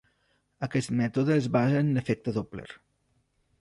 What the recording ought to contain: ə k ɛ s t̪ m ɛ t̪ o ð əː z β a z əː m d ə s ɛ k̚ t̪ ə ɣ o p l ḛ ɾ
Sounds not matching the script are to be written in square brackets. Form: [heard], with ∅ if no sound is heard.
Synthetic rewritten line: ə k ɛ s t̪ m ɛ t̪ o ð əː z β a z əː [n] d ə [f] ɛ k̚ t̪ ə [ð] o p l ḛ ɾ